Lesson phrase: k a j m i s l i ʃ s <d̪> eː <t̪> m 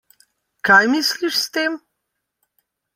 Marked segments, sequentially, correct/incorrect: incorrect: t̪, incorrect: none

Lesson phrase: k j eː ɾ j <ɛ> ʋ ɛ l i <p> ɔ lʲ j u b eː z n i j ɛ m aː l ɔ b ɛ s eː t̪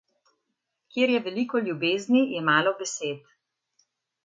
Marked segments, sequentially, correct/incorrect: correct, incorrect: k

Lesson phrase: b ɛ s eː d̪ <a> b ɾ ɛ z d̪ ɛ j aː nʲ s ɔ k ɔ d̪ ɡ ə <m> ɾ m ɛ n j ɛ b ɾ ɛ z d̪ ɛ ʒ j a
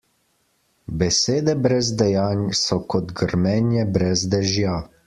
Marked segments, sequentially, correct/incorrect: incorrect: ɛ, incorrect: none

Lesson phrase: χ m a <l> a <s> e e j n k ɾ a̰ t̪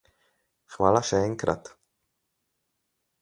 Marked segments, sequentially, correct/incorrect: correct, incorrect: ʃ

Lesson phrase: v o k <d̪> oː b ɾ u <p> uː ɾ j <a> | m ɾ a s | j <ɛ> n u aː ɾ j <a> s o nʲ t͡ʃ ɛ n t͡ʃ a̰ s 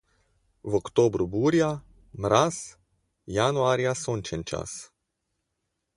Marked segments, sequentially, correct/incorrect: incorrect: t̪, incorrect: b, correct, incorrect: a, correct

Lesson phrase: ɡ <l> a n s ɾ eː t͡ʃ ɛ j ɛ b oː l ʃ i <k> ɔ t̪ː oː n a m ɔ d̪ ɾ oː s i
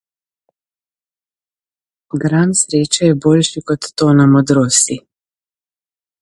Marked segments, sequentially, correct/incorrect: incorrect: ɾ, correct

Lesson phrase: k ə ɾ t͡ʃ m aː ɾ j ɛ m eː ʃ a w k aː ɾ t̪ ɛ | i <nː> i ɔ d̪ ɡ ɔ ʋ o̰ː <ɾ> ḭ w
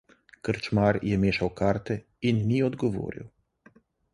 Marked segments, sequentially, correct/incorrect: correct, correct

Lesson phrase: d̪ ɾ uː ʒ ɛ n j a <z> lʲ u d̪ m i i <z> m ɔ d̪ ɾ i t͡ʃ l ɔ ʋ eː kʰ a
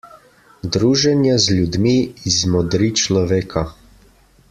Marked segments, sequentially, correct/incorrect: correct, correct

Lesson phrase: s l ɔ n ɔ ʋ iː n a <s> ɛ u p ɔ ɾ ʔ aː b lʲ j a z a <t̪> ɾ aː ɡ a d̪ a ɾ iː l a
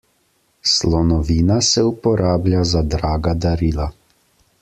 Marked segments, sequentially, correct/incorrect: correct, incorrect: d̪

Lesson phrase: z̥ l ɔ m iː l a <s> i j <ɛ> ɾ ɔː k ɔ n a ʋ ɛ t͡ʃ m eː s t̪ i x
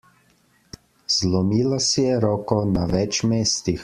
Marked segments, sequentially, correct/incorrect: correct, correct

